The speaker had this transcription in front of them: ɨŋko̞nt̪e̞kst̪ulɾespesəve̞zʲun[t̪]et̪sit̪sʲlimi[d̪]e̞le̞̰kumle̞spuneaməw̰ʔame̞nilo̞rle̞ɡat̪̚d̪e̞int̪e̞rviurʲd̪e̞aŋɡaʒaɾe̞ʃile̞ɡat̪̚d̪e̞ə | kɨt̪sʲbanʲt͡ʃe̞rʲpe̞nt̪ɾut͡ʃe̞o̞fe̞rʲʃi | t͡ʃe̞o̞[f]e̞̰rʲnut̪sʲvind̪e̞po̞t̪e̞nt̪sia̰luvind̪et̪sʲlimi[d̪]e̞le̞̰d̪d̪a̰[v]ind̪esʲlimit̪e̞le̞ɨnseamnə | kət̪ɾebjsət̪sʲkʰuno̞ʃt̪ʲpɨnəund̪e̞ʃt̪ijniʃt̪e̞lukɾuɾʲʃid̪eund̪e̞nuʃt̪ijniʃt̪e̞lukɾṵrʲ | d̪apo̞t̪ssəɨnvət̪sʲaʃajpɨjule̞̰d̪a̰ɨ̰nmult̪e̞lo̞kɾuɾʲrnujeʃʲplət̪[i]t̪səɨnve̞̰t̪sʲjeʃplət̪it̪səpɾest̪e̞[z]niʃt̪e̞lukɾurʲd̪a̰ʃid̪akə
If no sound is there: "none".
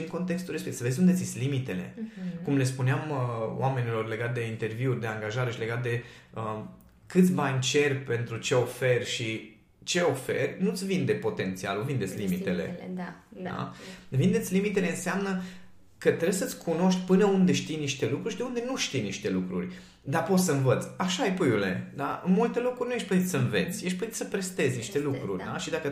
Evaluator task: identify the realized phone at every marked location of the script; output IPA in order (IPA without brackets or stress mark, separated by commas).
d̪, t̪, f, t̪, v, i, z